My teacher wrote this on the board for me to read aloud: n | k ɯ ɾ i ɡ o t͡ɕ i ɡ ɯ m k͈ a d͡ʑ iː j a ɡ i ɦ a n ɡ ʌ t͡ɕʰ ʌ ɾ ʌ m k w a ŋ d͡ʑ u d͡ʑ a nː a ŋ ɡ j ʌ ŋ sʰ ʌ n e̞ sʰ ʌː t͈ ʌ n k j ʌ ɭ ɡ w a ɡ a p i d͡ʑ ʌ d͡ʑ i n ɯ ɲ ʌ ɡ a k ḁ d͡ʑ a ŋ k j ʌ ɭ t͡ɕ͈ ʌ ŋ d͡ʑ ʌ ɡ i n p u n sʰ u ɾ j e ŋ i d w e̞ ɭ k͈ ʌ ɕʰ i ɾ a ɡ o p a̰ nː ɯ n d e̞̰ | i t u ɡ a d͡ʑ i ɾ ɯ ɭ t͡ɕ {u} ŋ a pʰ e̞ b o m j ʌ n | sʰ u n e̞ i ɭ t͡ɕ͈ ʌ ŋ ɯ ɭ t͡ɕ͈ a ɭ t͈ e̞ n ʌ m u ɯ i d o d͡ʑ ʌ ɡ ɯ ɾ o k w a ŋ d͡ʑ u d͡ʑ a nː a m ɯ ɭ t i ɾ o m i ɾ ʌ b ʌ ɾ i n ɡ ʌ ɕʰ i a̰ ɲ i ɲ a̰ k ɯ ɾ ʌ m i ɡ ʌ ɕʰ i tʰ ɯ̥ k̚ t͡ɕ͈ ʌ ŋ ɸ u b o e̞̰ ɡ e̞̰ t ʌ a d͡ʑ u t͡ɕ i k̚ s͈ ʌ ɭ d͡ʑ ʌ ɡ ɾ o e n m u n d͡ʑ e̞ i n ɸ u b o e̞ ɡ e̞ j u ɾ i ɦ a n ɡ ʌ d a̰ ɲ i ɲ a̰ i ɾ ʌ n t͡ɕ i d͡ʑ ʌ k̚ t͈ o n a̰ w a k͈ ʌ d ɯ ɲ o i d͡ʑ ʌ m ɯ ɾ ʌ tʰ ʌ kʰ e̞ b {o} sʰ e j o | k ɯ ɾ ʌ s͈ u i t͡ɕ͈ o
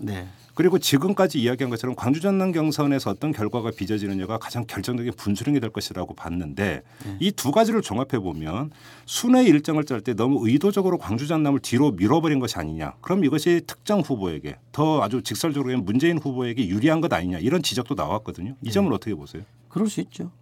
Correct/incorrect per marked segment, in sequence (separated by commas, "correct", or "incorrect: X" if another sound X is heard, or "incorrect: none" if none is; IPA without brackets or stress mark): incorrect: o, correct